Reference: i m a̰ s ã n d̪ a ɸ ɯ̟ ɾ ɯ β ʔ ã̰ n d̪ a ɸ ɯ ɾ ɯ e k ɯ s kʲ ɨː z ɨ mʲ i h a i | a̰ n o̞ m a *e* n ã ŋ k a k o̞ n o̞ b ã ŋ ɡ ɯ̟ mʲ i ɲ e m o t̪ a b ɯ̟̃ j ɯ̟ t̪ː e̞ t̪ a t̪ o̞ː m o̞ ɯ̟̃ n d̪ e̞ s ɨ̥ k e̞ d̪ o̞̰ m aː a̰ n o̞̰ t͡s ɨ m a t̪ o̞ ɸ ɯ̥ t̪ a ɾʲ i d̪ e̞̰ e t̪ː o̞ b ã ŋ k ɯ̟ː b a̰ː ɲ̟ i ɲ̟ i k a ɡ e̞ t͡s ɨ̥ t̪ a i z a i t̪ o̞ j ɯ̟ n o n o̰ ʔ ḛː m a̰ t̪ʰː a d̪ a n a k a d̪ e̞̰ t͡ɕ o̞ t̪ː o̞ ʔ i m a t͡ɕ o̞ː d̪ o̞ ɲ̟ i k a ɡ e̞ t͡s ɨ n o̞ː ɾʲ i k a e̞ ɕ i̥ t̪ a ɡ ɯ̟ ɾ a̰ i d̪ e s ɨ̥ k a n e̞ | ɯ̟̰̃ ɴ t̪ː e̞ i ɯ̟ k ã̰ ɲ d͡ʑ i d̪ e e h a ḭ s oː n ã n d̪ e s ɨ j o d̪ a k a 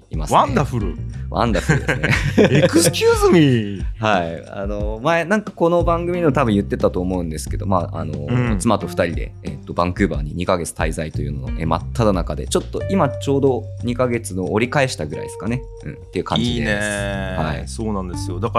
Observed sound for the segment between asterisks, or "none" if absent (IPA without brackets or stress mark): e